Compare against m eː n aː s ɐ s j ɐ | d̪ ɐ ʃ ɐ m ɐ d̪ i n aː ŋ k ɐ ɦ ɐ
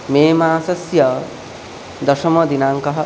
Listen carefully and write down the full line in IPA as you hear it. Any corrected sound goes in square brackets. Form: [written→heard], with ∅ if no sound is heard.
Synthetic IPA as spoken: m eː [n→m] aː s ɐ s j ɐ | d̪ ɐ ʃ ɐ m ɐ d̪ i n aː ŋ k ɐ ɦ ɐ